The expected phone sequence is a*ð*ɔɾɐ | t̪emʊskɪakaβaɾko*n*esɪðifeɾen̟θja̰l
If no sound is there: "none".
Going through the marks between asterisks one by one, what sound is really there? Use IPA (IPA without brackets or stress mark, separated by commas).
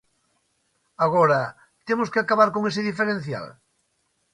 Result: ɣ, ŋ